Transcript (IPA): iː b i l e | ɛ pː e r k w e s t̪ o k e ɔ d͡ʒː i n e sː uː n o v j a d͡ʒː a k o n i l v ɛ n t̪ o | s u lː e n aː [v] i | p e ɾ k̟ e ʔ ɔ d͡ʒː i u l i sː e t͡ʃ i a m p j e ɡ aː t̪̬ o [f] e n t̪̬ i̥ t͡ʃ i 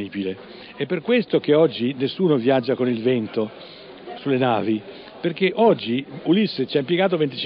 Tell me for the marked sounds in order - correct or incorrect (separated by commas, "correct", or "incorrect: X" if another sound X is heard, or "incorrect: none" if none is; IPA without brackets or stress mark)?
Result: correct, incorrect: v